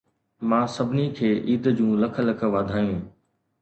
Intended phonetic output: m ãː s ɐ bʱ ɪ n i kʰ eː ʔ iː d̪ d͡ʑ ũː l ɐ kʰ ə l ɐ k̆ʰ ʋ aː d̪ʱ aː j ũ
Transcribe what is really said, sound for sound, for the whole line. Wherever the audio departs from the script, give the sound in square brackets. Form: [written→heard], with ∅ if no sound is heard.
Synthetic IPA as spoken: m ãː s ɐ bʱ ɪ n i kʰ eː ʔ iː d̪ d͡ʑ ũː l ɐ kʰ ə l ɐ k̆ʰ ʋ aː d̪ʱ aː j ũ

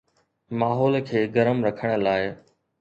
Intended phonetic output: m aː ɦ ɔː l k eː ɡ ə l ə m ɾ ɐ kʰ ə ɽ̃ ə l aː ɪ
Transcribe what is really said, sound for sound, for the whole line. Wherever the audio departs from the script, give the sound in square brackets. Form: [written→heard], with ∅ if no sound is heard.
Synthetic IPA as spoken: m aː ɦ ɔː l [k→kʰ] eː ɡ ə [l→ɾ] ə m ɾ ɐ kʰ ə ɽ̃ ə l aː ɪ

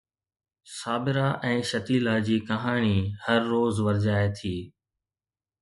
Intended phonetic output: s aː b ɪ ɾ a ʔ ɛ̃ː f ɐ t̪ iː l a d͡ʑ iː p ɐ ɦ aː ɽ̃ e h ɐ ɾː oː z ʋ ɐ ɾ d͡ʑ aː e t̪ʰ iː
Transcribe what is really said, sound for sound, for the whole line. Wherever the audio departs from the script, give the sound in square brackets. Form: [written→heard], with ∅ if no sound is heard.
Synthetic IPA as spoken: s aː b ɪ ɾ a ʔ ɛ̃ː [f→ʃ] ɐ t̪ iː l a d͡ʑ iː [p→k] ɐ ɦ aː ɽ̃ [e→i] h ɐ ɾː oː z ʋ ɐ ɾ d͡ʑ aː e t̪ʰ iː

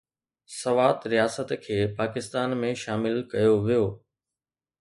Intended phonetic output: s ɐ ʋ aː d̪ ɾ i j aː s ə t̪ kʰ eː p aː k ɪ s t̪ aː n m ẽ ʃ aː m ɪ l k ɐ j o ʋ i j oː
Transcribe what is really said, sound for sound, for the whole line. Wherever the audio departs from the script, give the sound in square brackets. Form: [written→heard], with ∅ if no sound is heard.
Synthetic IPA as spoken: s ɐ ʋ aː [d̪→t̪] ɾ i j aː s ə t̪ kʰ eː p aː k ɪ s t̪ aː n m ẽ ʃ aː m ɪ l k ɐ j o ʋ i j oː

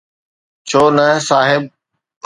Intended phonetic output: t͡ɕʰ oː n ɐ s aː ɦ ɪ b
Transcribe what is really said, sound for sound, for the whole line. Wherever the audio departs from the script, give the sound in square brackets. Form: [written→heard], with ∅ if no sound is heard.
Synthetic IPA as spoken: t͡ɕʰ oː n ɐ s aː ɦ ɪ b

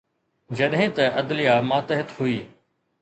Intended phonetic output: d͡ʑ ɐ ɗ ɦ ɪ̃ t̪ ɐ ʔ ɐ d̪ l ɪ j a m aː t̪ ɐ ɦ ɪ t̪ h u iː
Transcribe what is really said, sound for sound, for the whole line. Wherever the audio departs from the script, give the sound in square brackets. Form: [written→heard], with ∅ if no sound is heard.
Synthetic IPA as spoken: d͡ʑ ɐ ɗ ɦ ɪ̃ t̪ ɐ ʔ ɐ d̪ l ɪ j a m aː t̪ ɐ ɦ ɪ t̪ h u iː

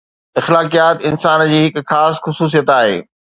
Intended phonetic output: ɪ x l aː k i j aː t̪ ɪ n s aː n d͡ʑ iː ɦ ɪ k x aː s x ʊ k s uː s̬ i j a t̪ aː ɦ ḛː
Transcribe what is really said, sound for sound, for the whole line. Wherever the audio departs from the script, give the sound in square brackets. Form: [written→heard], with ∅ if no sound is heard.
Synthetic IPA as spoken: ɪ x l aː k i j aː t̪ ɪ n s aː n d͡ʑ iː ɦ ɪ k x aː s x ʊ [k→∅] s uː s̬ i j [a→ə] t̪ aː ɦ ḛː

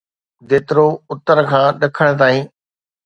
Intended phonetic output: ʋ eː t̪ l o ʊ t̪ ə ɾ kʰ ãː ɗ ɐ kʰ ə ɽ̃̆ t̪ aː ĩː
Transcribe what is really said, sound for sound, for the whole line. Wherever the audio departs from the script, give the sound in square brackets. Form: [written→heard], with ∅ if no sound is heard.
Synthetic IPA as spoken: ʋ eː t̪ [l→ɾ] o ʊ t̪ ə ɾ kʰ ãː ɗ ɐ kʰ ə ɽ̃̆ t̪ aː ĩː

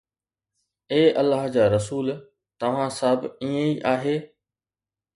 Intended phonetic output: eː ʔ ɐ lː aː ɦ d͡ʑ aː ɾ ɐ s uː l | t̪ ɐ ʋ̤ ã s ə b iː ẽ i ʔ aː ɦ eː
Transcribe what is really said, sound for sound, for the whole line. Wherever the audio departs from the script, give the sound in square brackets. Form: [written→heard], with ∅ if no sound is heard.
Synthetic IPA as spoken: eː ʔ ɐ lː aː ɦ d͡ʑ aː ɾ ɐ s uː l | t̪ ɐ ʋ̤ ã s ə b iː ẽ i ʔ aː ɦ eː

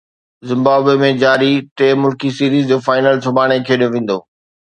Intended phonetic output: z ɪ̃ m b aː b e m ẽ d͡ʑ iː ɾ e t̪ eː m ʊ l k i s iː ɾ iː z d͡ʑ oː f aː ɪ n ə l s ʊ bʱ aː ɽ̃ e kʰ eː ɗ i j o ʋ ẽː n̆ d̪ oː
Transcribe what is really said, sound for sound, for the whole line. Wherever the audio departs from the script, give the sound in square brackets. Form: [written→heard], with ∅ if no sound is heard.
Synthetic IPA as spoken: z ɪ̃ m b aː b e m ẽ d͡ʑ [iː→aː] ɾ [e→i] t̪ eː m ʊ l k i s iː ɾ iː z d͡ʑ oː f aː ɪ n ə l s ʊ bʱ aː ɽ̃ e kʰ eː ɗ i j o ʋ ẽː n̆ d̪ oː

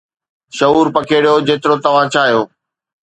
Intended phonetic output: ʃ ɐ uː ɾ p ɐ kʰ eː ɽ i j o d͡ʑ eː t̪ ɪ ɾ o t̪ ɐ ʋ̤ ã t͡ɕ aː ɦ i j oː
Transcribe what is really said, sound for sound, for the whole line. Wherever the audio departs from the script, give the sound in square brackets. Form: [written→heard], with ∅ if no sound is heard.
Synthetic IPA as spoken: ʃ ɐ uː ɾ p ɐ kʰ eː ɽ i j o d͡ʑ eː t̪ ɪ ɾ o t̪ ɐ ʋ̤ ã [t͡ɕ→t͡ɕʰ] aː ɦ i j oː

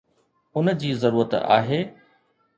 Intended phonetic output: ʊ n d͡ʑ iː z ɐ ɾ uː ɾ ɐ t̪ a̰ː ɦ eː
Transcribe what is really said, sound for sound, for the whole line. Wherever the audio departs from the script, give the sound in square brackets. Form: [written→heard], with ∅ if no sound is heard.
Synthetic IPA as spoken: ʊ n d͡ʑ iː z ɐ ɾ uː ɾ [ɐ→ə] t̪ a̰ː ɦ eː

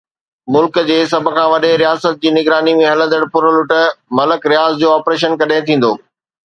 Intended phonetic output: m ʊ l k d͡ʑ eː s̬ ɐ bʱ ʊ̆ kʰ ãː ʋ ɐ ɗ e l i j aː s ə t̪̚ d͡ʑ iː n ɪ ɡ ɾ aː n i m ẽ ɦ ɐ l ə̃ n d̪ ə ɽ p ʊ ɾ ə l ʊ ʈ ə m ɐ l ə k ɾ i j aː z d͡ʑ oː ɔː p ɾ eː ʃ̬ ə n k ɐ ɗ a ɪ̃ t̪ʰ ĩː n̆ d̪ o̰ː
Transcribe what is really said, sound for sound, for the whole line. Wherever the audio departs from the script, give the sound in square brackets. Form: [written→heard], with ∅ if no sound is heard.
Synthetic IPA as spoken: m ʊ l k d͡ʑ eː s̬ ɐ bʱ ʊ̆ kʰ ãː ʋ ɐ ɗ e [l→ɾ] i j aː s ə t̪̚ d͡ʑ iː n ɪ ɡ ɾ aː n i m ẽ ɦ ɐ l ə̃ n d̪ ə ɽ p ʊ ɾ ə l ʊ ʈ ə m ɐ l ə k ɾ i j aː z d͡ʑ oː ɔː p ɾ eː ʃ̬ ə n k ɐ ɗ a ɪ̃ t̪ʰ ĩː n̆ d̪ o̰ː

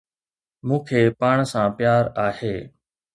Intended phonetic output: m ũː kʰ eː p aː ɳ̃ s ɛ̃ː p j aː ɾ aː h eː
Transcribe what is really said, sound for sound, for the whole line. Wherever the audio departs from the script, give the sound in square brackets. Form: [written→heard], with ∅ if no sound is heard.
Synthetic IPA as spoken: m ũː kʰ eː p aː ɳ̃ s [ɛ̃ː→ãː] p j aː ɾ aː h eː

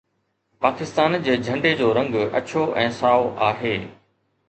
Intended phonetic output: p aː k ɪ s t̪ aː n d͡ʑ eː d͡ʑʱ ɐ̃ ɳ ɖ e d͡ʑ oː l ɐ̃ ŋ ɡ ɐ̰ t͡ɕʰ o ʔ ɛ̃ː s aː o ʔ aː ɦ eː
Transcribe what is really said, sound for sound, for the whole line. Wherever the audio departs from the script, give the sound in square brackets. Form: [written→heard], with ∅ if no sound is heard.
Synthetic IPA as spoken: p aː k ɪ s t̪ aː n d͡ʑ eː d͡ʑʱ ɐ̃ ɳ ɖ e d͡ʑ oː [l→ɾ] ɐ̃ ŋ ɡ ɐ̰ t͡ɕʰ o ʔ ɛ̃ː s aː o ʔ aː ɦ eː

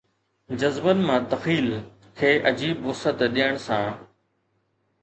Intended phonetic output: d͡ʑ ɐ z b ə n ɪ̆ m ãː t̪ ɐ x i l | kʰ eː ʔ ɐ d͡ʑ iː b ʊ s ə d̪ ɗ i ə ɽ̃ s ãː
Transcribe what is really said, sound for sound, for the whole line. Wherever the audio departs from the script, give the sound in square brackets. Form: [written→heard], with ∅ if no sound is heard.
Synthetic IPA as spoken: d͡ʑ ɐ z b ə n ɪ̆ m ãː t̪ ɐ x [i→iː] l | kʰ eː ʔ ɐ d͡ʑ iː b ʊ s ə [d̪→t̪] ɗ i ə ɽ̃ s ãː

